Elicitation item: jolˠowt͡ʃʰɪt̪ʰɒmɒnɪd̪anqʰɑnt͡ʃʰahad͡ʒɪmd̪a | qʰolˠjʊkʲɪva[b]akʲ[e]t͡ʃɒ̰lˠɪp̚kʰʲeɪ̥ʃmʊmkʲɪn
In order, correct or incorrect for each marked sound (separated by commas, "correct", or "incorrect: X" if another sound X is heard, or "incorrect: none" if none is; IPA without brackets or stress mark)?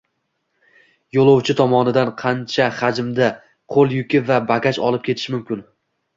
correct, incorrect: a